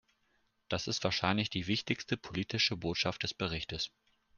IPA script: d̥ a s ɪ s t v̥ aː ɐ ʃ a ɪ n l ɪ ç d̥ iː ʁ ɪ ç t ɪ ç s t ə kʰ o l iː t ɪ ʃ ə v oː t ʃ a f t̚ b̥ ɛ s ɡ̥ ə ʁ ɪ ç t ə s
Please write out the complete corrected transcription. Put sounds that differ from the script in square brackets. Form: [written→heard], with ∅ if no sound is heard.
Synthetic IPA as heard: d̥ a s ɪ s t v̥ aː ɐ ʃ a ɪ n l ɪ ç d̥ iː [ʁ→v] ɪ ç t ɪ ç s t ə [kʰ→pʰ] o l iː t ɪ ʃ ə [v→b] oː t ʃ a f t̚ [b̥→d̥] ɛ s [ɡ̥→b̥] ə ʁ ɪ ç t ə s